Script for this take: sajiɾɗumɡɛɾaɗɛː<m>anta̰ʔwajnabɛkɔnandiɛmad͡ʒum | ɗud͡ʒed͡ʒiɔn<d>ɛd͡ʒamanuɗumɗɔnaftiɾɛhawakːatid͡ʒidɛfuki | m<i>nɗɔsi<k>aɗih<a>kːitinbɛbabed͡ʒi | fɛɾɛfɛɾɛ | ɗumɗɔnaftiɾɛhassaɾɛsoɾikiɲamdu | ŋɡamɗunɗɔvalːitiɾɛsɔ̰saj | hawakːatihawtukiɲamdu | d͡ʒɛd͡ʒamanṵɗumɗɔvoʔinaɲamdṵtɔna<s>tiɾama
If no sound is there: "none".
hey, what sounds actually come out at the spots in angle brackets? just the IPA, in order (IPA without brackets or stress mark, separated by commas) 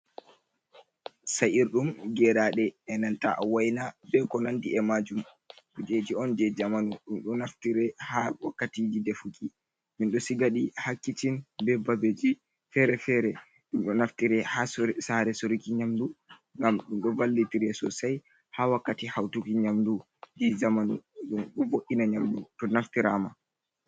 n, d͡ʒ, i, ɡ, a, f